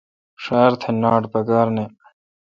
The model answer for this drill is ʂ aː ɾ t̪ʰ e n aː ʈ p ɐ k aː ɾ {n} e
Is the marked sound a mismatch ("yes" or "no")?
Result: no